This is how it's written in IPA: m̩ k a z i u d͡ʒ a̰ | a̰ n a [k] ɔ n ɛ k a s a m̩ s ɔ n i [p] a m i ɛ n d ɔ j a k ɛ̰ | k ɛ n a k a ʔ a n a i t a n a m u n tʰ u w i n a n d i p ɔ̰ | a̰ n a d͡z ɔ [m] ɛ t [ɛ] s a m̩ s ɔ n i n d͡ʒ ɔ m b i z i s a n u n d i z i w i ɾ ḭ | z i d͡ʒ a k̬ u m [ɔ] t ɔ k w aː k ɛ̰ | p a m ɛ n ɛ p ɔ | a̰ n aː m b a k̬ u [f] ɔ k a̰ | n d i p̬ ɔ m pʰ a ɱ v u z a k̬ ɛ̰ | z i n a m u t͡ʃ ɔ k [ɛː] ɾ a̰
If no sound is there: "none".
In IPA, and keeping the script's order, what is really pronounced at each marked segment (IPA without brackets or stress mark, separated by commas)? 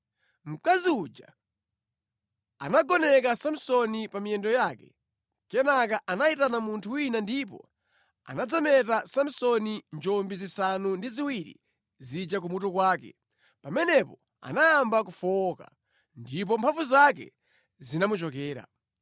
ɡ, p, m, a, u, f, ɛː